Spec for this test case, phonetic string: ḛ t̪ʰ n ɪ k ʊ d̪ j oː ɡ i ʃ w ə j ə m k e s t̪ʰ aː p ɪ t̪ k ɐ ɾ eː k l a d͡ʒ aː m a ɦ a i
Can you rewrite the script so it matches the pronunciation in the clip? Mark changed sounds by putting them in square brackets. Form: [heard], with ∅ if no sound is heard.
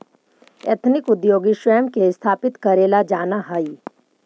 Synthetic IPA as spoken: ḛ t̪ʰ n ɪ k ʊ d̪ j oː ɡ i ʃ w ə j ə m k e s t̪ʰ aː p ɪ t̪ k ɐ ɾ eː [∅] l a d͡ʒ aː [n] a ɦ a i